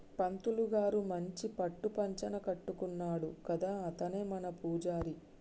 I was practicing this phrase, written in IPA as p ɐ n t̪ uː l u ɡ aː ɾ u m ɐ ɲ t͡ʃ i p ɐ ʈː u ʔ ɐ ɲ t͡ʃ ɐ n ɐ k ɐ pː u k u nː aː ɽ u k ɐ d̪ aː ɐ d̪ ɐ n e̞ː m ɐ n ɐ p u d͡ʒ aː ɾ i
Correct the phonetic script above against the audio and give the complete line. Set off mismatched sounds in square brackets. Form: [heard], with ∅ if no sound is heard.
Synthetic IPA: p ɐ n t̪ [u] l u ɡ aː ɾ u m ɐ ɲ t͡ʃ i p ɐ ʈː u [p] ɐ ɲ t͡ʃ ɐ n ɐ k ɐ [ʈː] u k u nː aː ɽ u k ɐ d̪ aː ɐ [t̪] ɐ n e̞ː m ɐ n ɐ p [uː] d͡ʒ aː ɾ i